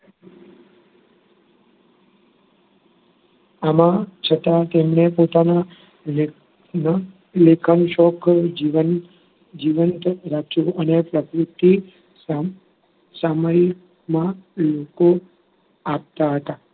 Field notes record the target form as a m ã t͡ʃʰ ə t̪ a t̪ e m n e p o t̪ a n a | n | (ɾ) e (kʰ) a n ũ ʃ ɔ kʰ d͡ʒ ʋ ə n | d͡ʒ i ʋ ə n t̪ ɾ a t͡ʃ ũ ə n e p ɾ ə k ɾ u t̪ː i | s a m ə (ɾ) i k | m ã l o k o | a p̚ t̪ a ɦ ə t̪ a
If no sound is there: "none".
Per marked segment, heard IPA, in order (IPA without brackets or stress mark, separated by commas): l, kʰ, ɾ